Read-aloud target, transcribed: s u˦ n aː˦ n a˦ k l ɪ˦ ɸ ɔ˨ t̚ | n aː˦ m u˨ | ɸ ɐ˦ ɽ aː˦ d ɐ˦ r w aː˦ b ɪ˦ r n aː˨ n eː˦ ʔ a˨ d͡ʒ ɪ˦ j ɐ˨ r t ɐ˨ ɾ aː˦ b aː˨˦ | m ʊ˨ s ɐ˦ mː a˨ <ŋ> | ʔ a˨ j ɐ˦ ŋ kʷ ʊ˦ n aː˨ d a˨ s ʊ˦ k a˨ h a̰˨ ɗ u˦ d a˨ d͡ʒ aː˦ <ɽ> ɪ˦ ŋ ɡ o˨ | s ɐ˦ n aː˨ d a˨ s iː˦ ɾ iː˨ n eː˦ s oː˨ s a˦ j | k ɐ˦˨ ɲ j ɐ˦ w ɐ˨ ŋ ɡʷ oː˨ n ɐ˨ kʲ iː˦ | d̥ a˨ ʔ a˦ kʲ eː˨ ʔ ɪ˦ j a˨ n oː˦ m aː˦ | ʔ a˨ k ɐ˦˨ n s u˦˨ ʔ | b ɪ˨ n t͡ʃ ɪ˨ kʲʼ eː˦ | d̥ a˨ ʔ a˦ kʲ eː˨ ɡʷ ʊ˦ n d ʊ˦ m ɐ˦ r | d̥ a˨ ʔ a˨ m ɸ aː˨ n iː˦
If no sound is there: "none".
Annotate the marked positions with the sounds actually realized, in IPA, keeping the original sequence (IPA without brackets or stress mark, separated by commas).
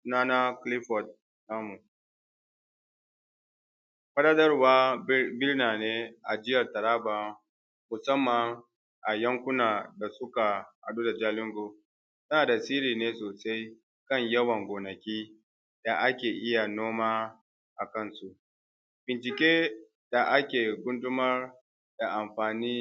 ŋ, l